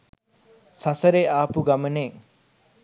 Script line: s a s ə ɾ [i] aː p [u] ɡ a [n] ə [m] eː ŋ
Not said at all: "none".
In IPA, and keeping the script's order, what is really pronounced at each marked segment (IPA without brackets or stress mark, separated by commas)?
e, u, m, n